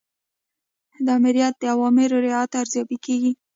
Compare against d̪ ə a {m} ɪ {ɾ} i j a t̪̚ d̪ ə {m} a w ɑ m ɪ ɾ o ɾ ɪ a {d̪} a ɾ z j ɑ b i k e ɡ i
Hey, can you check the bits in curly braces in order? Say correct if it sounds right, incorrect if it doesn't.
correct, correct, incorrect, incorrect

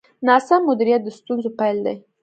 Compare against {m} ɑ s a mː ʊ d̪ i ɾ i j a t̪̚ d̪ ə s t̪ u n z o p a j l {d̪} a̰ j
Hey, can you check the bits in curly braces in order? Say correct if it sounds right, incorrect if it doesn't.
incorrect, correct

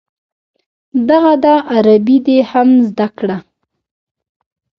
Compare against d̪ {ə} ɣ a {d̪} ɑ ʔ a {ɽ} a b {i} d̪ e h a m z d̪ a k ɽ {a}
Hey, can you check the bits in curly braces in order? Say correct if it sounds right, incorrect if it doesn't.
incorrect, correct, incorrect, correct, correct

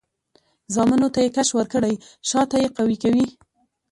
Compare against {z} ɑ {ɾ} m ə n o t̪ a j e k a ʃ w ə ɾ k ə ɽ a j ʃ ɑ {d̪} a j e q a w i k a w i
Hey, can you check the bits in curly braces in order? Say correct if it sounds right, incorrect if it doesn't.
correct, incorrect, incorrect

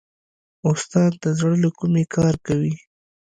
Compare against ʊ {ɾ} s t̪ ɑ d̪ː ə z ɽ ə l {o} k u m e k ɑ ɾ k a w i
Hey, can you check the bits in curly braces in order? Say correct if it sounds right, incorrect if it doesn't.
incorrect, correct

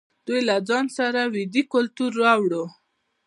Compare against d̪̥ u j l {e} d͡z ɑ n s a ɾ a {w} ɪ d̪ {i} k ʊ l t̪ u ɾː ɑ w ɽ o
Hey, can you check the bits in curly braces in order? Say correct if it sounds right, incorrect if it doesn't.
incorrect, correct, correct

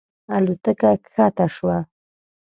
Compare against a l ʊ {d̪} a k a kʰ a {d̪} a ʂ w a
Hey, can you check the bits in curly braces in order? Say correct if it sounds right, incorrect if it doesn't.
incorrect, incorrect

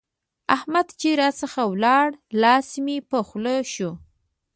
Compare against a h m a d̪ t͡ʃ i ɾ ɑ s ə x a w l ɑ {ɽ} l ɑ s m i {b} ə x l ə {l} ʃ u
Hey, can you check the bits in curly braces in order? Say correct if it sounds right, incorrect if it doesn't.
correct, incorrect, incorrect

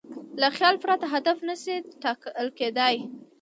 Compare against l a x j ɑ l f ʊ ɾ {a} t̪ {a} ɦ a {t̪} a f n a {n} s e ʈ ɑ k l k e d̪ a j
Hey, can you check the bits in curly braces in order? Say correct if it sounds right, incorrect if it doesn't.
correct, correct, incorrect, incorrect

